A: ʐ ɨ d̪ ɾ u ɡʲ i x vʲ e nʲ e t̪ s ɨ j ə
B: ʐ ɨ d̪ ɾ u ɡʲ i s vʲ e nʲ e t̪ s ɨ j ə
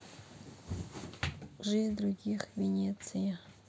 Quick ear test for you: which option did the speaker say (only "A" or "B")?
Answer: A